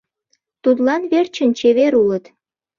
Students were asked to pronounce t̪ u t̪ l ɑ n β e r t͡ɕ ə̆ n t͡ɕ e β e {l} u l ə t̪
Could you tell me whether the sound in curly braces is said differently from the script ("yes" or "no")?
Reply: yes